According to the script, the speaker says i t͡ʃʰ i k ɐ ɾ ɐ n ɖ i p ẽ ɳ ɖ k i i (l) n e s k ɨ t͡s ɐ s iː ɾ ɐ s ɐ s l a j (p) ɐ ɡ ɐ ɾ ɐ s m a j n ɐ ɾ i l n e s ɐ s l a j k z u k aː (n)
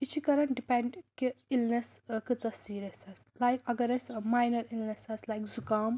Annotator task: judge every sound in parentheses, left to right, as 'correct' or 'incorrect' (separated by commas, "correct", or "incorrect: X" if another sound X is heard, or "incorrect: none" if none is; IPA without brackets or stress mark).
correct, incorrect: k, incorrect: m